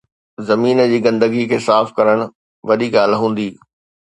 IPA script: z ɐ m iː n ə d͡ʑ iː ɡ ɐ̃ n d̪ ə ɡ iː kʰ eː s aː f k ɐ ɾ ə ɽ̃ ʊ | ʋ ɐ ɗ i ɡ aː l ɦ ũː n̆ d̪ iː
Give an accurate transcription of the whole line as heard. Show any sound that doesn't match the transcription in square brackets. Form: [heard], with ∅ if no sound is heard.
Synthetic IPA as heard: z ɐ m iː n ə d͡ʑ iː ɡ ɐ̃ n d̪ ə ɡ [i] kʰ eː s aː f k ɐ ɾ ə ɽ̃ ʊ | ʋ ɐ ɗ i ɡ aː l ɦ ũː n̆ d̪ iː